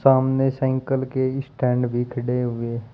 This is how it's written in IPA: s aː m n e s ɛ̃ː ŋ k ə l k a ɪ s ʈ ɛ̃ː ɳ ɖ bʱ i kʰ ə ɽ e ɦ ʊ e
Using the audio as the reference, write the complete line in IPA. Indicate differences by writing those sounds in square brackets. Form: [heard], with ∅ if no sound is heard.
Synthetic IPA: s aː m n e s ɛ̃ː ŋ k ə l k [e] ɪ s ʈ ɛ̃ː ɳ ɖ bʱ i kʰ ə ɽ e ɦ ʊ e